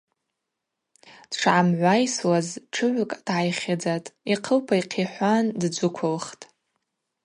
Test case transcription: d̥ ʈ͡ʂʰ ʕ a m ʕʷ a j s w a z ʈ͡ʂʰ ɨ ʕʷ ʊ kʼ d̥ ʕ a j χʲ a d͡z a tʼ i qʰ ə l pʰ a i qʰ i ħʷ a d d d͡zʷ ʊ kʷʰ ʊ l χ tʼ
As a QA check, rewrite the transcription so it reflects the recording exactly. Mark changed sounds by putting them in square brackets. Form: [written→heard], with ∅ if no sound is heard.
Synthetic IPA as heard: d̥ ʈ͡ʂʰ ʕ a m ʕʷ a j s w a z ʈ͡ʂʰ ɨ ʕʷ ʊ kʼ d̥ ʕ a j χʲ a d͡z a tʼ i qʰ ə l pʰ a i qʰ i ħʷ a [d→n] d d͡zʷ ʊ kʷʰ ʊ l χ tʼ